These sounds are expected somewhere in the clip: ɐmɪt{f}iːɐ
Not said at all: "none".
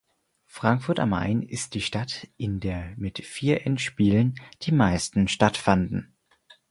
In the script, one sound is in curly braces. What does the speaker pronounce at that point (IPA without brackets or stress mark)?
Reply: f